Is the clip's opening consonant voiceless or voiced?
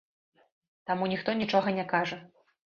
voiceless